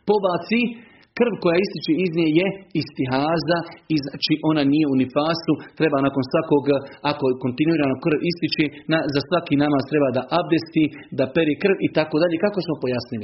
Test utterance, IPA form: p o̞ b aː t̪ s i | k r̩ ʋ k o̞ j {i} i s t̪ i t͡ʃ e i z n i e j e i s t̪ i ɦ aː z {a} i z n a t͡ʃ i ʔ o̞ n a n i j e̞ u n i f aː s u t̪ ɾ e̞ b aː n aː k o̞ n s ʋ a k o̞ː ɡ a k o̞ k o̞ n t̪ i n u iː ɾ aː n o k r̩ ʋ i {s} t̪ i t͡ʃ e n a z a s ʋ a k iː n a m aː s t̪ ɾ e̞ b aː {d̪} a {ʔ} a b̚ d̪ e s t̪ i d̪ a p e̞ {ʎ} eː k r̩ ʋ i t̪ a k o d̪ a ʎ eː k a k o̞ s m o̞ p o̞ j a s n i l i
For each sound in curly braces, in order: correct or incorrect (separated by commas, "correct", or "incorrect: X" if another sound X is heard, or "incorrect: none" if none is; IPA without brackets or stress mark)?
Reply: incorrect: a, correct, correct, correct, correct, incorrect: ɾ